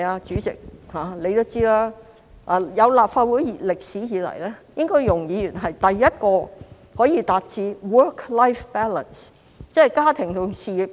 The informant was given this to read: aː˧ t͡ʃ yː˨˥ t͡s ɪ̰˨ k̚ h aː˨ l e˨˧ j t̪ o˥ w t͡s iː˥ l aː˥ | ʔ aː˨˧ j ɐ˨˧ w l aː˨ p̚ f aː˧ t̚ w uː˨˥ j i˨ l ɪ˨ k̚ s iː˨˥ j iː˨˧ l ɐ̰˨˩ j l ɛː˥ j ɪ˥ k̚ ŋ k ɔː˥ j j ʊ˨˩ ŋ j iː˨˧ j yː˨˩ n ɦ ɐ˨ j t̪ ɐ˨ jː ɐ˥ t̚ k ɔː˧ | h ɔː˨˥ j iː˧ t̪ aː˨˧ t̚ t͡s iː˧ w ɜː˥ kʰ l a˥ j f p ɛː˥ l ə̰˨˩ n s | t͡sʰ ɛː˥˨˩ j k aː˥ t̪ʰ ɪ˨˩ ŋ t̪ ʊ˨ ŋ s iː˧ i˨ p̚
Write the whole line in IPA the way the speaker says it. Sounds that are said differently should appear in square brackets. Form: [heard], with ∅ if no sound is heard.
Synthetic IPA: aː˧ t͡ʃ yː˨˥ t͡s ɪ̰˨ k̚ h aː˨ l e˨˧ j t̪ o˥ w t͡s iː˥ l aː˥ | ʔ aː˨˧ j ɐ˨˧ w l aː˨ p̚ f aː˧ t̚ w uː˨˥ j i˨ l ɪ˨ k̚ s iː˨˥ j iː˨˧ l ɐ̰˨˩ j l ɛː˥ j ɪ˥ [∅] ŋ k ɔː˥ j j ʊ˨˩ ŋ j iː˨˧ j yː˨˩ n ɦ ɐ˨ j t̪ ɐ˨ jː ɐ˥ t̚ k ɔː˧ | h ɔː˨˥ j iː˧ t̪ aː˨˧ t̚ t͡s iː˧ w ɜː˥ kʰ l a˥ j f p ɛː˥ l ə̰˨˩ n s | [t͡s] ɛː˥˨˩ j k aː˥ t̪ʰ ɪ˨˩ ŋ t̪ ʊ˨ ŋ s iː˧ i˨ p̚

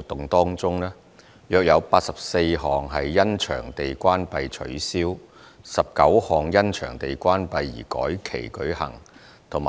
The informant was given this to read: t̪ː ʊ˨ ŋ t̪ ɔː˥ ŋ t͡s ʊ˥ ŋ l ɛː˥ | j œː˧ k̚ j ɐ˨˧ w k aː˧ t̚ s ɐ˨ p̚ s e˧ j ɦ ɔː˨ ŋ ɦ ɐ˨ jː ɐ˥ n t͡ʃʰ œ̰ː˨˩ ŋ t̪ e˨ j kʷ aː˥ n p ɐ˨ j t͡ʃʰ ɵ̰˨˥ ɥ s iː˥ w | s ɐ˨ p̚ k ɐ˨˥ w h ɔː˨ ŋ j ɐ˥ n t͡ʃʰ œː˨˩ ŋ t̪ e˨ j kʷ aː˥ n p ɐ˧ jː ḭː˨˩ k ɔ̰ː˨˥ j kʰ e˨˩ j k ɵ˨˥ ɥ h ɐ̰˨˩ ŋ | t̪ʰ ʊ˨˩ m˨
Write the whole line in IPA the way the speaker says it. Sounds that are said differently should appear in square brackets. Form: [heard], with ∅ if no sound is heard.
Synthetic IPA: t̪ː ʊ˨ ŋ t̪ ɔː˥ ŋ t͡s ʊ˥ ŋ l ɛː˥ | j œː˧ k̚ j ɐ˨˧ w [p] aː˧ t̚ s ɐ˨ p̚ s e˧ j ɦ ɔː˨ ŋ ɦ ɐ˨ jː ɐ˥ n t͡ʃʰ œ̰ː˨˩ ŋ t̪ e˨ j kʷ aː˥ n p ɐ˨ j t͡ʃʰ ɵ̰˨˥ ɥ s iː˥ w | s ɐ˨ p̚ k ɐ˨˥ w h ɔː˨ ŋ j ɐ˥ n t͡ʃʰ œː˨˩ ŋ t̪ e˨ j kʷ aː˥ n p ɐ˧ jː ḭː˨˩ k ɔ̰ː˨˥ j kʰ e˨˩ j k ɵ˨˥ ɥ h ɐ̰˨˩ ŋ | t̪ʰ ʊ˨˩ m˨

